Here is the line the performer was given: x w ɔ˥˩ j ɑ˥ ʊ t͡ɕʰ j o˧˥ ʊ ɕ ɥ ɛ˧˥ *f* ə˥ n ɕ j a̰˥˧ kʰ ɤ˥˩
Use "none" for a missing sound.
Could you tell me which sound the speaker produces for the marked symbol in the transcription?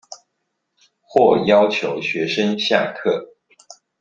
ʂ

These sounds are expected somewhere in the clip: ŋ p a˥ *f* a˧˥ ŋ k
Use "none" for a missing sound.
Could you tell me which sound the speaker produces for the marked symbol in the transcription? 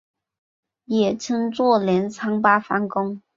f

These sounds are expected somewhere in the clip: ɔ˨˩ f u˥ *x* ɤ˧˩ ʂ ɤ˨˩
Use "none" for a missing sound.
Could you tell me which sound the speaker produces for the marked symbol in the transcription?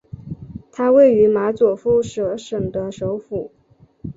ʂ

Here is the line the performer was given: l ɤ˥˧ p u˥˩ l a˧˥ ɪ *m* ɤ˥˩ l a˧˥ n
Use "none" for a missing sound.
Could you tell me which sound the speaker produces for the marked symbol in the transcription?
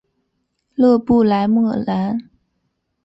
m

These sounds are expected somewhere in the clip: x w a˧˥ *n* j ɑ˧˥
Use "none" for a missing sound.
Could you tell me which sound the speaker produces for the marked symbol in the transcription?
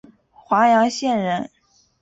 none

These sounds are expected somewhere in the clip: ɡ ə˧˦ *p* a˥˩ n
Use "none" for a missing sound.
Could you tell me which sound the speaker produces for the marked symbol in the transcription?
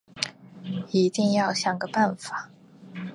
p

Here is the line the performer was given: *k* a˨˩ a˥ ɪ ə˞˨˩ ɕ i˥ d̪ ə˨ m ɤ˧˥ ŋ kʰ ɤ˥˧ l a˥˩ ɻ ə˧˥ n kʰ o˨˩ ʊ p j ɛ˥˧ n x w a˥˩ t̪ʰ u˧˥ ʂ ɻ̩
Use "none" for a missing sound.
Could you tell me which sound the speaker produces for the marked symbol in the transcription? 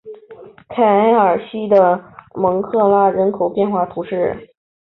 kʰ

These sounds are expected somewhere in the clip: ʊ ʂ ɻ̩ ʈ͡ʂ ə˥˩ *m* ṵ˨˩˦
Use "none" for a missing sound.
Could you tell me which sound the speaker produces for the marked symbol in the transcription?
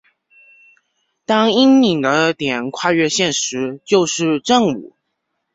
ŋ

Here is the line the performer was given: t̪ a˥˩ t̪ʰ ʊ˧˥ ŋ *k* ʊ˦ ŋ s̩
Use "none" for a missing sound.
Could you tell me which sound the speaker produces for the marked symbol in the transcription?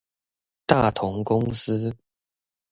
k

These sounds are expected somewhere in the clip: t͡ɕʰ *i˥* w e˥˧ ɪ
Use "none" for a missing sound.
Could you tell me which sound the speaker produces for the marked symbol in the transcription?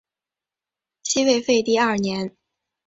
i˥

